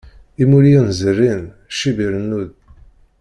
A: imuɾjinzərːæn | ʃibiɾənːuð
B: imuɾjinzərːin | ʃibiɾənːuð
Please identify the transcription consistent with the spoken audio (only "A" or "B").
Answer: B